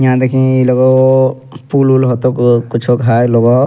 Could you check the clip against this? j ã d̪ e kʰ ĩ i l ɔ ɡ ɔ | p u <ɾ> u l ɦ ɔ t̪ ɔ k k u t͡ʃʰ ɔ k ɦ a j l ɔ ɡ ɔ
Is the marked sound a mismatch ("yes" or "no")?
yes